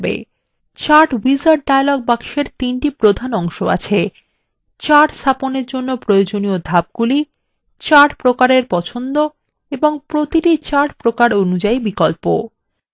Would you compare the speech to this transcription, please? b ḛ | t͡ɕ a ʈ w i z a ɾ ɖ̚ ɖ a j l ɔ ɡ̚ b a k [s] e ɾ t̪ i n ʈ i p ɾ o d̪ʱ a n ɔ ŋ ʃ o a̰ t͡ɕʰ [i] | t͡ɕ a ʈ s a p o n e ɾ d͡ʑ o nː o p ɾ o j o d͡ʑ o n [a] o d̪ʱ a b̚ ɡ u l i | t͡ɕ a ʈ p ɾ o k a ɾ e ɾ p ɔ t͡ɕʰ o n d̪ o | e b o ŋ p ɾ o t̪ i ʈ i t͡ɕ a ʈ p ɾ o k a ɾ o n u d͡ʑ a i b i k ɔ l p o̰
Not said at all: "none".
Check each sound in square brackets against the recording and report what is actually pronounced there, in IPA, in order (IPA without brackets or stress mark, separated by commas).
ʃ, e, i